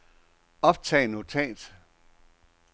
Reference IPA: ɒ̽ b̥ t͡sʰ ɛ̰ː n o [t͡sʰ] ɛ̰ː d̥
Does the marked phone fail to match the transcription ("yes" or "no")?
no